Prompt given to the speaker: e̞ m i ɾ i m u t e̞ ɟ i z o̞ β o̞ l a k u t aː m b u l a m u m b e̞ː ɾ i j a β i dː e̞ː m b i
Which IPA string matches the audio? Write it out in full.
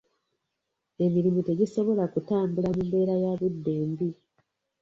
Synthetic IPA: e̞ m i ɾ i m u t e̞ ɟ i s o̞ β o̞ l a k u t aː m b u l a m u m b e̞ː ɾ a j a β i dː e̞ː m b i